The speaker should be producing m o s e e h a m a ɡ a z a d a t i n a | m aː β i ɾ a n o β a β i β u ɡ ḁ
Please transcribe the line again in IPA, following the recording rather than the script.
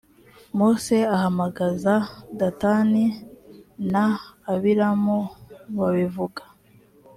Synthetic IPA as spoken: m o s e a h a m a ɡ a z a d a t a n i | n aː β i ɾ a m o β a β i v u ɡ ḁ